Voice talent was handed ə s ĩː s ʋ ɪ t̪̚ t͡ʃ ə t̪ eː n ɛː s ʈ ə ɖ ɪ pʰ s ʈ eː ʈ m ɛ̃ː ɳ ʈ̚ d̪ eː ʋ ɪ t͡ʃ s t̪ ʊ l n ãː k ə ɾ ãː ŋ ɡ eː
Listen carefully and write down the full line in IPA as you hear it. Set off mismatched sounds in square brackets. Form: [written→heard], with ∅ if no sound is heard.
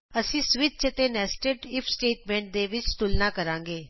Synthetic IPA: ə s ĩː s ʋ ɪ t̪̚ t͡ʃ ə t̪ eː n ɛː s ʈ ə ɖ ɪ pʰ s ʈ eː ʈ m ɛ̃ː ɳ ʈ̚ d̪ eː ʋ ɪ t͡ʃ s t̪ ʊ l n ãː k ə ɾ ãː ŋ ɡ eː